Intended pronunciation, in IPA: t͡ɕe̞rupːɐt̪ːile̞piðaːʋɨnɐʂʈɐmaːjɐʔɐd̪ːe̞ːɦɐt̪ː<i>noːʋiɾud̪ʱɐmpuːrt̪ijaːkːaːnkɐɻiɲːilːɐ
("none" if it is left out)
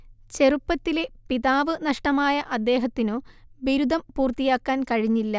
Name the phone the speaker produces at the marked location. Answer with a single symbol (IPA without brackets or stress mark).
i